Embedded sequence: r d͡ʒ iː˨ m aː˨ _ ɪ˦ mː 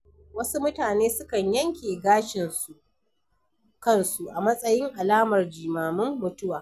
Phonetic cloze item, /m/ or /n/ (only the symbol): m